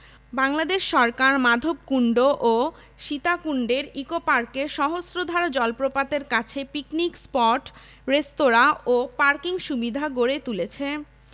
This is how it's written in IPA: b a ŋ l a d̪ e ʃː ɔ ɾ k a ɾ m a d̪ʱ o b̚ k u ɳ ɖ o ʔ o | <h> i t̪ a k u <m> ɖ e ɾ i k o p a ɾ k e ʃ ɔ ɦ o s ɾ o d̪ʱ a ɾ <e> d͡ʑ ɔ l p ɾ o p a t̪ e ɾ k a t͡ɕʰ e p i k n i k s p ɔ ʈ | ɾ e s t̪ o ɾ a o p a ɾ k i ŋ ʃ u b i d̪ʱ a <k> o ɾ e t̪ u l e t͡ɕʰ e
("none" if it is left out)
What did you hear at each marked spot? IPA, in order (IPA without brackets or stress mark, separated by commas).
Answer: ʃ, ɳ, a, ɡ